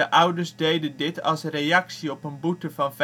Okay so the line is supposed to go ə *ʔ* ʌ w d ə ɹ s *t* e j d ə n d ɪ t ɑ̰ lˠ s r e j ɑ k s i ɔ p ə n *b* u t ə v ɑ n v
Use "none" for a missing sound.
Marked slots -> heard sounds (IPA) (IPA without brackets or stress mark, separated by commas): ʔ, d, b